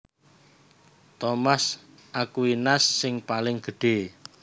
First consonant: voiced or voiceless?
voiceless